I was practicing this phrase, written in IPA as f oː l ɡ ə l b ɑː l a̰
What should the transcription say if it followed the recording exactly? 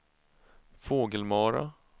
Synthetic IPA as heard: f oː ɡ ə l m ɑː ɾ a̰